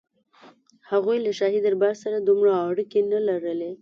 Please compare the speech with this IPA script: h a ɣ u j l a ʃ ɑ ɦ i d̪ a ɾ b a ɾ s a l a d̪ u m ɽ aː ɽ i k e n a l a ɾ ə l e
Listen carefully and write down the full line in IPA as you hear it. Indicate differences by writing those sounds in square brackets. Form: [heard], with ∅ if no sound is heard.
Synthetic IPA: h a ɣ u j l a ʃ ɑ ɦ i d̪ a ɾ b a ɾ s a [ɾ] a d̪ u m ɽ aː ɽ i k e n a l a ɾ ə l e